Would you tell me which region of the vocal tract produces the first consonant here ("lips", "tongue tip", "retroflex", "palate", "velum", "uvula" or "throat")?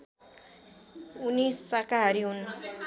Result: tongue tip